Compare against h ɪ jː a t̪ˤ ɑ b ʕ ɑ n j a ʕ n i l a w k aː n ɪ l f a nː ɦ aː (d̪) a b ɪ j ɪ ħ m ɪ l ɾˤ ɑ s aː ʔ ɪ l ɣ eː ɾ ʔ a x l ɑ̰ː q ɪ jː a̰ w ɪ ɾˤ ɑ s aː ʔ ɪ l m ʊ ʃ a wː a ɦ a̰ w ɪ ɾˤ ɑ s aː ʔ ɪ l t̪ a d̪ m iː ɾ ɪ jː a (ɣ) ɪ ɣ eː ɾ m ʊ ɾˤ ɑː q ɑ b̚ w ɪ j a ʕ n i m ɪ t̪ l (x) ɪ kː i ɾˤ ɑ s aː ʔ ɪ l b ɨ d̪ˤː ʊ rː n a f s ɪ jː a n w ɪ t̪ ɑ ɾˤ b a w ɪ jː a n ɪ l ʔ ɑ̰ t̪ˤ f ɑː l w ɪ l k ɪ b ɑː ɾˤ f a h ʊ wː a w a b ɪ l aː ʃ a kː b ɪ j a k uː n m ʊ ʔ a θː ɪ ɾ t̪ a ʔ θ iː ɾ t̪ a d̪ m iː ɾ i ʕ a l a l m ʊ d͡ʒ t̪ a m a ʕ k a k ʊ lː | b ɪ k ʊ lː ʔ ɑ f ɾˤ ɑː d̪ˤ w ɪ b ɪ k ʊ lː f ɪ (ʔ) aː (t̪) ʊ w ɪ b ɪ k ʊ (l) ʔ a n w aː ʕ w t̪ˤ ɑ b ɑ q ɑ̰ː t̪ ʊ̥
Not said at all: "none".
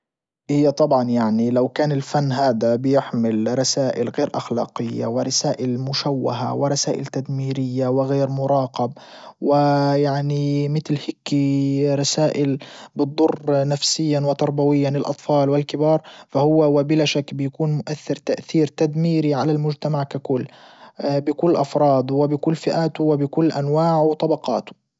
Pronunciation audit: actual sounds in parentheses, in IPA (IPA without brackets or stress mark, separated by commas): d̪, w, h, ʔ, t̪, lː